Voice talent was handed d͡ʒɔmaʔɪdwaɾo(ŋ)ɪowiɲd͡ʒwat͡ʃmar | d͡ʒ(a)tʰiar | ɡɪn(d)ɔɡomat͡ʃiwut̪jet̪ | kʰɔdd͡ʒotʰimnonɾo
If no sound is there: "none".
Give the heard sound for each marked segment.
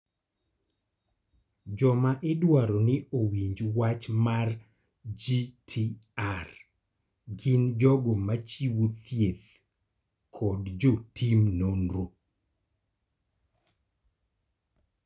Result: n, i, d͡ʒ

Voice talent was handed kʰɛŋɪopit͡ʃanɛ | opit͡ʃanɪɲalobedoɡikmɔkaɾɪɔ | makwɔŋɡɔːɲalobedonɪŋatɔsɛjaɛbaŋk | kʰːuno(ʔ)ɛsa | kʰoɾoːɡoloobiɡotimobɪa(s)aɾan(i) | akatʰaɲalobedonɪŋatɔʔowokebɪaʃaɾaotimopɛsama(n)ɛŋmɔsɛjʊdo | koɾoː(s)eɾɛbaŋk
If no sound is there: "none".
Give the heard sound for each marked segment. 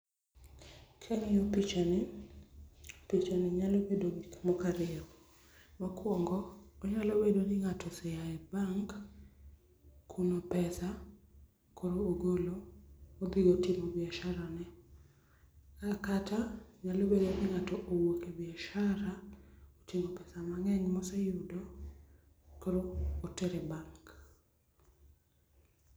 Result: p, ʃ, ɛ, ŋ, t

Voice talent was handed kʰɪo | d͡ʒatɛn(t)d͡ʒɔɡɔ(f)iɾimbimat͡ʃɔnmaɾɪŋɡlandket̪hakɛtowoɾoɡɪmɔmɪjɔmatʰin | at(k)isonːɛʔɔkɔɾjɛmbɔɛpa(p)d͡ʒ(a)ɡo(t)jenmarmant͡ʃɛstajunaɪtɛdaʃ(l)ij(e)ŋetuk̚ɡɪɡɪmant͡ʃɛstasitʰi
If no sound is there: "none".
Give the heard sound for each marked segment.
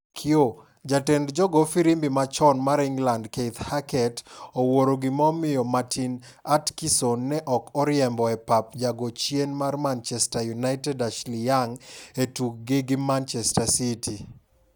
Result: d, f, k, p, a, t͡ʃ, l, a

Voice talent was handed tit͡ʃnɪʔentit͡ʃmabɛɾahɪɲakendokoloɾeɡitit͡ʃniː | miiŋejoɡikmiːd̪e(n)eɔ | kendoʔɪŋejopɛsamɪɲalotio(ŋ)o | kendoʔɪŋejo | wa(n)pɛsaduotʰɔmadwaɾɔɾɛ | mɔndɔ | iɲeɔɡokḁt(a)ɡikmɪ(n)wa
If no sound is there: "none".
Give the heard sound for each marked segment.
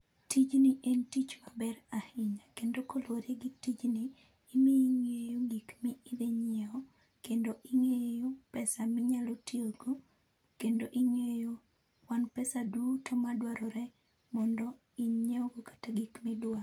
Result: ɲ, ɡ, n, a, d

